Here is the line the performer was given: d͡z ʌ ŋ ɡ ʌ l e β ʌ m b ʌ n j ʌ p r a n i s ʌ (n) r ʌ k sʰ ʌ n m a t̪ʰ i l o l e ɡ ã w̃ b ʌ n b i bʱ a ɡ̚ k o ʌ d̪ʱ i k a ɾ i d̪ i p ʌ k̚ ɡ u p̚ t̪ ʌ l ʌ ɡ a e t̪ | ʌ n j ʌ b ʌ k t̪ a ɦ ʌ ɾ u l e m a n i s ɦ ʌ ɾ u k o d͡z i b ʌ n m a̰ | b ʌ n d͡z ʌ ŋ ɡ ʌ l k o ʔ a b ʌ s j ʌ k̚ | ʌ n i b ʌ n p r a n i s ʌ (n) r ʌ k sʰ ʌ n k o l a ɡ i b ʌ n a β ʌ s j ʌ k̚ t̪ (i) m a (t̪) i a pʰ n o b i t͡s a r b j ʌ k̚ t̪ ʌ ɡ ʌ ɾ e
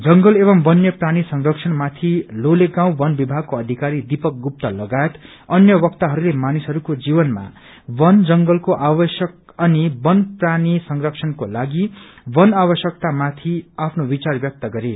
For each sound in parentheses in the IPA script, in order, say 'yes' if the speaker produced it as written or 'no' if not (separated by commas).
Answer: no, no, no, no